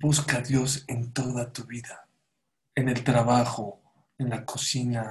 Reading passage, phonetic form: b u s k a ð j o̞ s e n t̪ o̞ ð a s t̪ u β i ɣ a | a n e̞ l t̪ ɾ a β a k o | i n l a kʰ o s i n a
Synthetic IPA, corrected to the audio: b u s k a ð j o̞ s e n t̪ o̞ ð a t̪ u β i ð a | e n e̞ l t̪ ɾ a β a x o | e n l a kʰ o s i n a